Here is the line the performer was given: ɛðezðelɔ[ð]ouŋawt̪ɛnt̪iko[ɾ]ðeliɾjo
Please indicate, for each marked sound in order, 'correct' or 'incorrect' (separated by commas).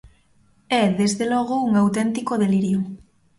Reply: incorrect, incorrect